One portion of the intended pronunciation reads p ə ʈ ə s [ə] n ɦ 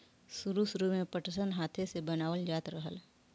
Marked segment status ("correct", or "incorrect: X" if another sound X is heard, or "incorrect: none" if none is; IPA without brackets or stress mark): correct